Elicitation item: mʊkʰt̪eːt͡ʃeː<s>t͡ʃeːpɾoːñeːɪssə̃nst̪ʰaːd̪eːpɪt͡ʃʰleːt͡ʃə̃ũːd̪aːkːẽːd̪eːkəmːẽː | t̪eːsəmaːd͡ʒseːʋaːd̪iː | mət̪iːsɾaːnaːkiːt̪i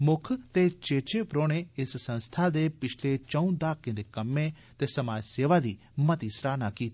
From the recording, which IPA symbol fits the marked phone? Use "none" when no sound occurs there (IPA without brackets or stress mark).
none